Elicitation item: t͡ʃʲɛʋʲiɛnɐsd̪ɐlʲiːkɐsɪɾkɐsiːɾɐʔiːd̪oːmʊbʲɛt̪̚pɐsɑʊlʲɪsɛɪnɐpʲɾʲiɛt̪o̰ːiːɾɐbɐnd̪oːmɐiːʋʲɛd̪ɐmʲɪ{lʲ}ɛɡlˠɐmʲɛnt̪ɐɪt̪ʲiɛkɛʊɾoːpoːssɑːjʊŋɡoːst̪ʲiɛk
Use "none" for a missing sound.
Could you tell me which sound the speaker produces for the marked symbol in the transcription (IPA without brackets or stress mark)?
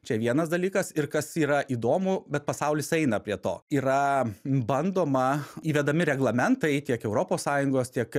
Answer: ɾʲ